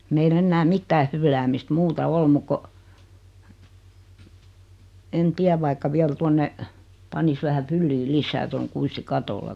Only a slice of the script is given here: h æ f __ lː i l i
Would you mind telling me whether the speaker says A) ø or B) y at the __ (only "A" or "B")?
B